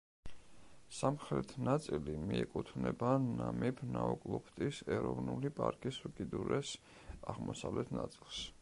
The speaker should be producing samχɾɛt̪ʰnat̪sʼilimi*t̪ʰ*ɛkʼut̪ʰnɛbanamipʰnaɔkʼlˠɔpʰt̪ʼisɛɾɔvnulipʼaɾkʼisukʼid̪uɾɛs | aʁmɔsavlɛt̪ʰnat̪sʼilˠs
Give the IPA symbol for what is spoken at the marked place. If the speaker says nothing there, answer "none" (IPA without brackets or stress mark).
none